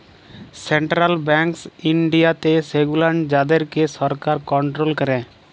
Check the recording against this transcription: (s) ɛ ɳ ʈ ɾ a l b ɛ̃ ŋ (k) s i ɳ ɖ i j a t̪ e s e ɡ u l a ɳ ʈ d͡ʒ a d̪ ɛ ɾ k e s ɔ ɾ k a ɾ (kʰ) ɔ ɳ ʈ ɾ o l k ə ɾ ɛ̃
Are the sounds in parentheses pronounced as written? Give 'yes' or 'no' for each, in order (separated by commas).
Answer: yes, yes, no